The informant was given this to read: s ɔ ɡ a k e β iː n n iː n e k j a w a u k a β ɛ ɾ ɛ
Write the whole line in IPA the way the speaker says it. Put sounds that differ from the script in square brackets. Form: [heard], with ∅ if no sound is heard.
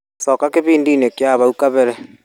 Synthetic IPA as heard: s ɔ [k] a k e β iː n [d] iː n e k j a [β] a u k a β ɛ ɾ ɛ